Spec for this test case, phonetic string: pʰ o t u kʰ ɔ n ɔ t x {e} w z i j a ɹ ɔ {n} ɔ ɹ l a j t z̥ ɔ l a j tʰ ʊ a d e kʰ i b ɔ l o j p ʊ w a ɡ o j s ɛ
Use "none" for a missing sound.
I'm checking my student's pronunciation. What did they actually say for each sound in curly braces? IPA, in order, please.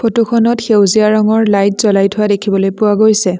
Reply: e, ŋ

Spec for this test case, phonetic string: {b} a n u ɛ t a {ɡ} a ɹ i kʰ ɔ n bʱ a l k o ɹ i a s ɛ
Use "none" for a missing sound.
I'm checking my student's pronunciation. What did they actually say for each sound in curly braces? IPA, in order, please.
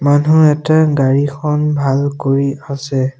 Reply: m, ɡ

